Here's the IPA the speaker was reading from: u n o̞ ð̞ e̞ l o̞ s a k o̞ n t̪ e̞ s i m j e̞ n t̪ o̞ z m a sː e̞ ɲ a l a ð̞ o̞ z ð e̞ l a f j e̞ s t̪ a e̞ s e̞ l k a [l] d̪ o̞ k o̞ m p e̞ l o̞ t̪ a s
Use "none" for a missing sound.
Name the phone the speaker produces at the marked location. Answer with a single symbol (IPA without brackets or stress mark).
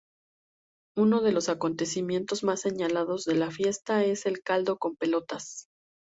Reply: l